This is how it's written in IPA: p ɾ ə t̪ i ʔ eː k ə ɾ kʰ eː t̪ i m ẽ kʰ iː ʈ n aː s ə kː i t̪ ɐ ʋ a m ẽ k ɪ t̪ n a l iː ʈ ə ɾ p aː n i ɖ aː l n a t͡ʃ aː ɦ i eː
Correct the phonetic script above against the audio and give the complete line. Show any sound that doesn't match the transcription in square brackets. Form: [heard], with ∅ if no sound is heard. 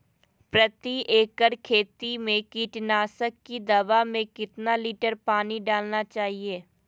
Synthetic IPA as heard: p ɾ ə t̪ i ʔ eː k ə ɾ kʰ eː t̪ i m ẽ [k] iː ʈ n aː s ə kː i [d̪] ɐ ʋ a m ẽ k ɪ t̪ n a l iː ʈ ə ɾ p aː n i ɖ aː l n a t͡ʃ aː ɦ i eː